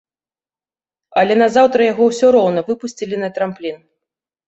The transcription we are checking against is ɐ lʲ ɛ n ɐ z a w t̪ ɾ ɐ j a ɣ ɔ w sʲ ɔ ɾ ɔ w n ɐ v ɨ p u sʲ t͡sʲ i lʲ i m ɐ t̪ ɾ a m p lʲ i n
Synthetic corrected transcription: ɐ lʲ ɛ n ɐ z a w t̪ ɾ ɐ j a ɣ ɔ w sʲ ɔ ɾ ɔ w n ɐ v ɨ p u sʲ t͡sʲ i lʲ i n ɐ t̪ ɾ a m p lʲ i n

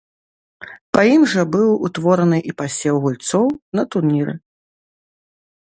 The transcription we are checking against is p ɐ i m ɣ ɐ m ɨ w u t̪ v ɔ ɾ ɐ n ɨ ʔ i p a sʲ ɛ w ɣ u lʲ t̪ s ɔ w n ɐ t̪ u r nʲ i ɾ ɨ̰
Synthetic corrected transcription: p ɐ i m ʐ ɐ b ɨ w u t̪ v ɔ ɾ ɐ n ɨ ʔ i p a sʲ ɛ w ɣ u lʲ t̪ s ɔ w n ɐ t̪ u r nʲ i ɾ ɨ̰

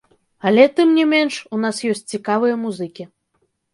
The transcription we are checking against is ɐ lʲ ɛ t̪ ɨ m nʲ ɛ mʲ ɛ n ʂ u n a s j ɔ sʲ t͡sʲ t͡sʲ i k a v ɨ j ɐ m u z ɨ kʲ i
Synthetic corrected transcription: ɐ lʲ ɛ t̪ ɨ m nʲ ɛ mʲ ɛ n ʂ u n a s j ɔ sʲ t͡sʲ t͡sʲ i k a v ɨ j ɐ m u z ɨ kʲ i

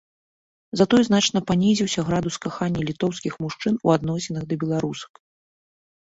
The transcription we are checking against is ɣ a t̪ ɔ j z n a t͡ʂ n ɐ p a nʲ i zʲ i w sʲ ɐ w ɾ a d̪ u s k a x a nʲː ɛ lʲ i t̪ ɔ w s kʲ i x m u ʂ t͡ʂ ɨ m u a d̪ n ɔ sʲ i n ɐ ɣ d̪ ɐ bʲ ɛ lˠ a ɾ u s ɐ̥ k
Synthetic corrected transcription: z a t̪ ɔ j z n a t͡ʂ n ɐ p a nʲ i zʲ i w sʲ ɐ ɣ ɾ a d̪ u s k a x a nʲː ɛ lʲ i t̪ ɔ w s kʲ i x m u ʂ t͡ʂ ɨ n u a d̪ n ɔ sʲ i n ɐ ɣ d̪ ɐ bʲ ɛ lˠ a ɾ u s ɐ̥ k

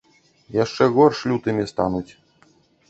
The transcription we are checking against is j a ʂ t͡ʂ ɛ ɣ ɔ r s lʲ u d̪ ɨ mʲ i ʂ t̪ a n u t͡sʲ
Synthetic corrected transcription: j a ʂ t͡ʂ ɛ ɣ ɔ r ʂ lʲ u t̪ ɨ mʲ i s t̪ a n u t͡sʲ

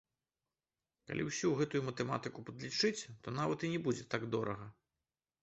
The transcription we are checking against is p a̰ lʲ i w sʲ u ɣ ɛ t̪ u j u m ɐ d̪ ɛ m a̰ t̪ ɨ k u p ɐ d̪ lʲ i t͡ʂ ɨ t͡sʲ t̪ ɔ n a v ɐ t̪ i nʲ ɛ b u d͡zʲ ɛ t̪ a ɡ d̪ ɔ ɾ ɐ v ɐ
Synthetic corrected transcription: k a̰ lʲ i w sʲ u ɣ ɛ t̪ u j u m ɐ t̪ ɛ m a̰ t̪ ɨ k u p ɐ d̪ lʲ i t͡ʂ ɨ t͡sʲ t̪ ɔ n a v ɐ t̪ i nʲ ɛ b u d͡zʲ ɛ t̪ a ɡ d̪ ɔ ɾ ɐ ɣ ɐ

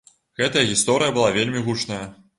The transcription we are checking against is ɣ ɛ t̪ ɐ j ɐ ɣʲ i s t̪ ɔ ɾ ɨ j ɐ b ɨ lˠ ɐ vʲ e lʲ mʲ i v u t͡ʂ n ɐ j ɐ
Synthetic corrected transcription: ɣ ɛ t̪ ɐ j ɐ ɣʲ i s t̪ ɔ ɾ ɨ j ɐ b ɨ lˠ a vʲ e lʲ mʲ i ɣ u t͡ʂ n ɐ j ɐ

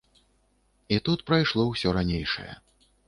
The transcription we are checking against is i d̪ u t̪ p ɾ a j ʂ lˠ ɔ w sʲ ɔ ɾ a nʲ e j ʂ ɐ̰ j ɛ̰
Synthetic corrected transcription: i t̪ u t̪ p ɾ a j ʂ lˠ ɔ w sʲ ɔ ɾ a nʲ e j ʂ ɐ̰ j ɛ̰

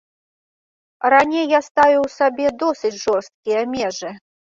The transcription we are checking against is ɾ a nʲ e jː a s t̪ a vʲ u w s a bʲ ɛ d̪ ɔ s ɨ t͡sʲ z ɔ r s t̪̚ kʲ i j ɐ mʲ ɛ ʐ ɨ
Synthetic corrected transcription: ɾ a nʲ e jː a s t̪ a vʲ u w s a bʲ ɛ d̪ ɔ s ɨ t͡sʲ ʐ ɔ r s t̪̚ kʲ i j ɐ mʲ ɛ ʐ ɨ

